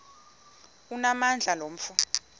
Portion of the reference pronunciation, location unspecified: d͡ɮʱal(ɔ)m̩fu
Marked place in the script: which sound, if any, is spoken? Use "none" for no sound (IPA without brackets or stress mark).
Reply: o